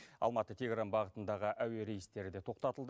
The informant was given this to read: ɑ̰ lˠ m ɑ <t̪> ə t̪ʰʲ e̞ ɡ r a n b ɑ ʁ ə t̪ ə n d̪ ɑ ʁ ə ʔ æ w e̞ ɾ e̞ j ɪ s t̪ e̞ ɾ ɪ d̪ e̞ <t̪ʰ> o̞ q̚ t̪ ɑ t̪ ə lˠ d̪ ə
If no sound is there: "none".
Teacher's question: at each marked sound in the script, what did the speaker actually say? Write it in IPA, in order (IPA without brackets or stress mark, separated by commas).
t̪, t̪ʰ